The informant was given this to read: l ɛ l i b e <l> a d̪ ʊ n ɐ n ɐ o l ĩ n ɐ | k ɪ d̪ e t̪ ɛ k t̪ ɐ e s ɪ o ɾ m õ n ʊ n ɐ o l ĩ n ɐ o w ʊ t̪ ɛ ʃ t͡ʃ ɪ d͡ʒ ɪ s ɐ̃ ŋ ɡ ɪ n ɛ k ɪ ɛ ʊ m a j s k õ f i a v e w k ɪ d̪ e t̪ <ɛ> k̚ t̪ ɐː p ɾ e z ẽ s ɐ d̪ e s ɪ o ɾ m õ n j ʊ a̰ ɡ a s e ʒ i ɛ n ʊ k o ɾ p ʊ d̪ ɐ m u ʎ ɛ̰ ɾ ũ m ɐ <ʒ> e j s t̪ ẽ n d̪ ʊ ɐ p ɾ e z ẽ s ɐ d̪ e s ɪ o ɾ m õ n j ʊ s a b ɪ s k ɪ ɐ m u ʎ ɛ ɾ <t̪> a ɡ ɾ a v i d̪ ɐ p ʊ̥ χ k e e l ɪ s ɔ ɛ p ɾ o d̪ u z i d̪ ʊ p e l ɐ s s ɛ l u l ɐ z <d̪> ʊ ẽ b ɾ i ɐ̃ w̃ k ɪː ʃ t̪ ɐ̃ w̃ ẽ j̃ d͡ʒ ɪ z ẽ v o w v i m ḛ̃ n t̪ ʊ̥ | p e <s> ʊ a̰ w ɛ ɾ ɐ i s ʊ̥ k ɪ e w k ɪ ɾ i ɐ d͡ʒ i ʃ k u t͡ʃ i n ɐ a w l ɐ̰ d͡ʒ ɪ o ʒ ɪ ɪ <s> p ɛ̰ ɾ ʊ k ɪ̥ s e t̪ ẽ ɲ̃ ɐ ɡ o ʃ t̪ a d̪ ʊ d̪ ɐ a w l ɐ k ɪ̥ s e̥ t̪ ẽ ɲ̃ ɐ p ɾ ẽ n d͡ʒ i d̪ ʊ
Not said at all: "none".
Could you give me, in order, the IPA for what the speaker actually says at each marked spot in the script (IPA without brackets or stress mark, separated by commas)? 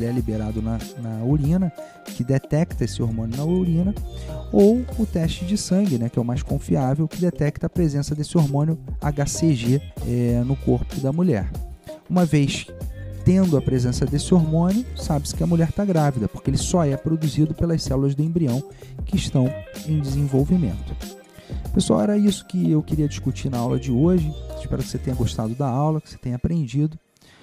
ɾ, ɛ, v, t̪, d̪, s, ʃ